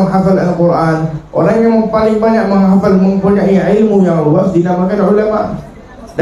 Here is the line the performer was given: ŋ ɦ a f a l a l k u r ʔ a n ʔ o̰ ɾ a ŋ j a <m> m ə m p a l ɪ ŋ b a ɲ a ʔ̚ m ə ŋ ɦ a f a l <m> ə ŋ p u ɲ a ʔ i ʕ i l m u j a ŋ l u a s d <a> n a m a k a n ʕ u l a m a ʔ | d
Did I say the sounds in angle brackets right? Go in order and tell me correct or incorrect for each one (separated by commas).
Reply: incorrect, correct, incorrect